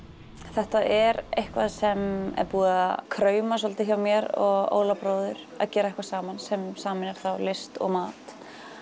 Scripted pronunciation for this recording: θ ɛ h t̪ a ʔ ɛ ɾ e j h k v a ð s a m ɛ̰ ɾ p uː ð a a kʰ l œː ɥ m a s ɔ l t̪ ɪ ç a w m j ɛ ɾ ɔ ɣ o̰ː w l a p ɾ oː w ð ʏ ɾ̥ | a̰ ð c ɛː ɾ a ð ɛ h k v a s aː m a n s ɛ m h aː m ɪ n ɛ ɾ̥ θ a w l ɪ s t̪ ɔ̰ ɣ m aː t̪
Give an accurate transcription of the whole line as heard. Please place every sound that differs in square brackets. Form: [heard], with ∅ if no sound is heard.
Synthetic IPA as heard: θ ɛ h t̪ a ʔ ɛ ɾ e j h k v a ð s [ɛ] m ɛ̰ ɾ p uː ð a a kʰ [ɾ] œː ɥ m a s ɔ l t̪ ɪ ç a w m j ɛ ɾ ɔ ɣ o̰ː w l a p ɾ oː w ð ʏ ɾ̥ | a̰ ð c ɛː ɾ a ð ɛ h k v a s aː m a n s ɛ m [s] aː m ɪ n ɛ ɾ̥ θ a w l ɪ s t̪ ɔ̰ ɣ m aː t̪

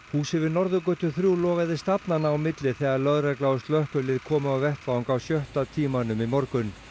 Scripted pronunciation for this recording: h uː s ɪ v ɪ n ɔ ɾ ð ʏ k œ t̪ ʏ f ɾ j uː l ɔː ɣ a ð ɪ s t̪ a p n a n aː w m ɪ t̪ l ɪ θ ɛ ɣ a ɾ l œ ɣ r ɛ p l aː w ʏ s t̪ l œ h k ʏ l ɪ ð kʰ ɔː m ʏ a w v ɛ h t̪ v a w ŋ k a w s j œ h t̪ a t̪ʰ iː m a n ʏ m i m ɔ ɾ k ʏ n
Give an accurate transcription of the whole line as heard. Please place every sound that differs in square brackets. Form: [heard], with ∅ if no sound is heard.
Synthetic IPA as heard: h uː s ɪ v ɪ n ɔ ɾ ð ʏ k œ t̪ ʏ [θ] ɾ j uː l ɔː ɣ a ð ɪ s t̪ a p n a n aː w m ɪ t̪ l ɪ θ ɛ ɣ a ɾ l œ [ð] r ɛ [k] l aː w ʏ s t̪ l œ h k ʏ l ɪ ð kʰ ɔː m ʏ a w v ɛ h t̪ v a w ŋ k a w s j œ h t̪ a t̪ʰ iː m a n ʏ m i m ɔ ɾ k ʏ n

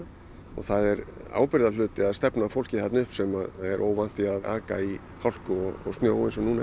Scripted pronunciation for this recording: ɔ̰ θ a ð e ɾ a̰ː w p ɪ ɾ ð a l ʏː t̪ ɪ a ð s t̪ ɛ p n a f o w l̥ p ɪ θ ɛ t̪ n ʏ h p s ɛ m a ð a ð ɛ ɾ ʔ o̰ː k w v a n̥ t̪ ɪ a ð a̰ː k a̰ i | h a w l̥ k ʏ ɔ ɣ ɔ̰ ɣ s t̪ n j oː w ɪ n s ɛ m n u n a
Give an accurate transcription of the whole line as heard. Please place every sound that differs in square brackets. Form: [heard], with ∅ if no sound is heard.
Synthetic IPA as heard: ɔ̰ θ a ð [ɛ] ɾ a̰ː w p ɪ ɾ ð a l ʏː t̪ ɪ a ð s t̪ ɛ p n a f o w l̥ [c] ɪ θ ɛ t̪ n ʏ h p s ɛ m a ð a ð ɛ ɾ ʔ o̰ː [∅] w v a n̥ t̪ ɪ a ð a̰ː k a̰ i | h a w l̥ k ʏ ɔ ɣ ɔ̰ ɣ s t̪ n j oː w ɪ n s ɛ m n u n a

